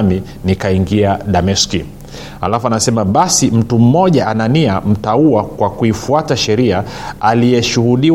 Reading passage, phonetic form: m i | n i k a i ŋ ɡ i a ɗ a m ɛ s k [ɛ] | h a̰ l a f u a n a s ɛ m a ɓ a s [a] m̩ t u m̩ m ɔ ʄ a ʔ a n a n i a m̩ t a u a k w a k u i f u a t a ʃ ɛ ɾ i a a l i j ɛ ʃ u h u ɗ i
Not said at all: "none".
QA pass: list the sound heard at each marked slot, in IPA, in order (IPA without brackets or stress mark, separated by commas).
i, i